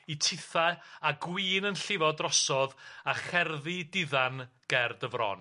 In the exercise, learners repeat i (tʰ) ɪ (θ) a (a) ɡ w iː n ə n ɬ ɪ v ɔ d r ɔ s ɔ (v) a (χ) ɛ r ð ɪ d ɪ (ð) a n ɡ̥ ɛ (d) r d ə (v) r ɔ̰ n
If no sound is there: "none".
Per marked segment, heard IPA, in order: tʰ, θ, a, ð, χ, ð, none, v

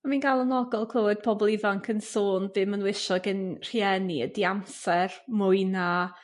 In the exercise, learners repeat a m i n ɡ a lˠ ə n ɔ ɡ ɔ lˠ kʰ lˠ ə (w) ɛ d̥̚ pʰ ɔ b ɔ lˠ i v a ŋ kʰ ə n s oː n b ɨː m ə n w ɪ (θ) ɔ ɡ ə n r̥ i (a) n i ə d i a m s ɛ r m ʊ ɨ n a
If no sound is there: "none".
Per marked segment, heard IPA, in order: w, ʃ, ɛ

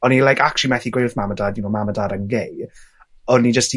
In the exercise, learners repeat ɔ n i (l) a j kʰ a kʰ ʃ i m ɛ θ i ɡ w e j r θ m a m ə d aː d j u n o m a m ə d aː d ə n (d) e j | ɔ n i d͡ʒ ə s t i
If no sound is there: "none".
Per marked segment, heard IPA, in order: l, ɡ

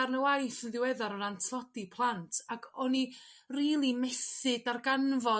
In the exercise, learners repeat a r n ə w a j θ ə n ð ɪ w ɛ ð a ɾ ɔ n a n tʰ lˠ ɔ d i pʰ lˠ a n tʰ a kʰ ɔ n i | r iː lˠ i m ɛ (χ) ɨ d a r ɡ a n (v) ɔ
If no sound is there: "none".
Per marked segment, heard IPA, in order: s, v

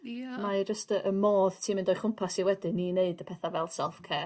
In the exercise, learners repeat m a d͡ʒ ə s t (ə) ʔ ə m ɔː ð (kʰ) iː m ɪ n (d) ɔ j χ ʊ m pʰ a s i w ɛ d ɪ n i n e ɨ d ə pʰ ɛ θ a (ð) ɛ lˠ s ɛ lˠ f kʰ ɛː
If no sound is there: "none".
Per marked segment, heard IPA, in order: ə, tʰ, d, v

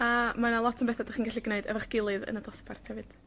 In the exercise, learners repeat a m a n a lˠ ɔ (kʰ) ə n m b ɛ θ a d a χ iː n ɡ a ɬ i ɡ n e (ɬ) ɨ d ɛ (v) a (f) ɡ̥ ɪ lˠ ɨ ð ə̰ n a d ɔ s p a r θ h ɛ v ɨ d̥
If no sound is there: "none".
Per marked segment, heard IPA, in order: tʰ, none, v, χ

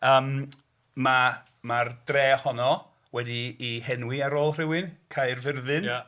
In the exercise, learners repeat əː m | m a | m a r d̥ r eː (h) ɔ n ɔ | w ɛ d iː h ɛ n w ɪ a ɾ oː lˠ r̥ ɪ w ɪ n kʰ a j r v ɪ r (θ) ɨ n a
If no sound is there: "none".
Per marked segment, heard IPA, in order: h, ð

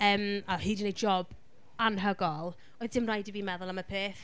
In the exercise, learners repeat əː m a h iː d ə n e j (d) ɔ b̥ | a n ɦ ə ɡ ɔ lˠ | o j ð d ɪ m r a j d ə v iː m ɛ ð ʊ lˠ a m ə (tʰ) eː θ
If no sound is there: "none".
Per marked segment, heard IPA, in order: d͡ʒ, pʰ

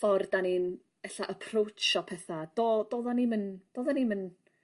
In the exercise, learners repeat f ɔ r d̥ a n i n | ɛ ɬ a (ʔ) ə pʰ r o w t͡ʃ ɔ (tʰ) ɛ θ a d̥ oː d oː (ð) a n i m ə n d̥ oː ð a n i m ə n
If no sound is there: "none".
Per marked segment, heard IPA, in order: ʔ, pʰ, ð

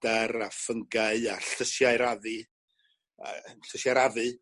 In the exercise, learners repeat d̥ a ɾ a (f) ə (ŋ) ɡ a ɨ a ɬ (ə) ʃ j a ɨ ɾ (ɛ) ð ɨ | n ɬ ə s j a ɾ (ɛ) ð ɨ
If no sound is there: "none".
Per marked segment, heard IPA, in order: f, ŋ, ə, a, a

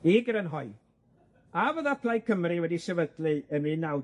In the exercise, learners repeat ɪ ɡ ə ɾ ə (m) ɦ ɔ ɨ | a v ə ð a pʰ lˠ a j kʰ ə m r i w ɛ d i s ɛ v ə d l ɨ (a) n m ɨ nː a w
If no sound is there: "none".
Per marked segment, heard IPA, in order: n, ə

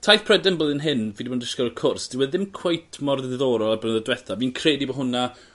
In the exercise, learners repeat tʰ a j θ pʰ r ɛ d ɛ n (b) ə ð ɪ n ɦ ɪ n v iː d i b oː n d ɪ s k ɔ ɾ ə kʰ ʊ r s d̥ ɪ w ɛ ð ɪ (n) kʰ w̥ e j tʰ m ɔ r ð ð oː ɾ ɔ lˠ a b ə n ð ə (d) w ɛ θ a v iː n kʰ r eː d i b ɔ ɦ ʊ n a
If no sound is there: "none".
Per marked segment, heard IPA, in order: b, m, d

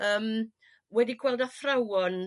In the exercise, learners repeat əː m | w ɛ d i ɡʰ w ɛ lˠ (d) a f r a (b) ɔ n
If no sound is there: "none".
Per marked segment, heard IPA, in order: d, w

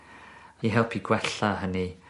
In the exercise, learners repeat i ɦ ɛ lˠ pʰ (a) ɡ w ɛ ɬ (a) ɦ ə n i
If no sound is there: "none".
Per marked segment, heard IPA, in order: i, a

